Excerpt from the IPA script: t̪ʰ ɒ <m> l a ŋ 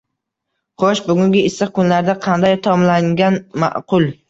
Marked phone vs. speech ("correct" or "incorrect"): correct